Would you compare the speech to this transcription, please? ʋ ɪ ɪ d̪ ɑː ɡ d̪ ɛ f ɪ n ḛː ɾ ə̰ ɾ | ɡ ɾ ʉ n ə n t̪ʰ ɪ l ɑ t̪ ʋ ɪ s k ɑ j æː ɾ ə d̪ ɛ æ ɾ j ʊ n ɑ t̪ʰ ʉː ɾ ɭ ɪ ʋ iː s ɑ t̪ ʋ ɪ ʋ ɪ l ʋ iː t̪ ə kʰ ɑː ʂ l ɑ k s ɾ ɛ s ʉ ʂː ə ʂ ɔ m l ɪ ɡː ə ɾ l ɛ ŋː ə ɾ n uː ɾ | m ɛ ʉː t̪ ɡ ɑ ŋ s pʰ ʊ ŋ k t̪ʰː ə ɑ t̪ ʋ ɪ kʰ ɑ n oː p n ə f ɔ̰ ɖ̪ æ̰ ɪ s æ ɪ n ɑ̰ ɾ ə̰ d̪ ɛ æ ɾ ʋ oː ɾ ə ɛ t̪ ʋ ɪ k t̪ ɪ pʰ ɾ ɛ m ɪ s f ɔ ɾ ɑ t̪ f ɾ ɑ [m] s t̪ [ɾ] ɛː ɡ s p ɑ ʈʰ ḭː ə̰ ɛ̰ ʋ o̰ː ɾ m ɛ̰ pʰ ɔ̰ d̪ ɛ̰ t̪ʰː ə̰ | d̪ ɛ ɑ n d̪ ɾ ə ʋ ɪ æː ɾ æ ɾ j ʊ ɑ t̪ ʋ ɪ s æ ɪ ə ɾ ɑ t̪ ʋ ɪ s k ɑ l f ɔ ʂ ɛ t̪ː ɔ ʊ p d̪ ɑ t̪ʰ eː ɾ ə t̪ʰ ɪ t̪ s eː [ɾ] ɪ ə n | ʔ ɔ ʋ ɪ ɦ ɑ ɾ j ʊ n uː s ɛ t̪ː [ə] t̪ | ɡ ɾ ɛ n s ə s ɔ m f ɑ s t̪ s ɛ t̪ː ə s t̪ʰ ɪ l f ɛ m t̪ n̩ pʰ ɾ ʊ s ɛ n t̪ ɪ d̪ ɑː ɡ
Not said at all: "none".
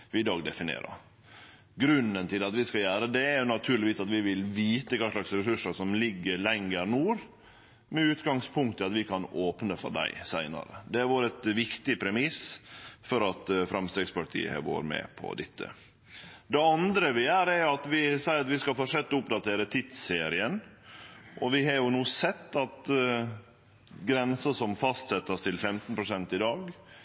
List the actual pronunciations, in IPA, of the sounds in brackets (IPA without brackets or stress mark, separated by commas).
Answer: m, ɾ, ɾ, ɑ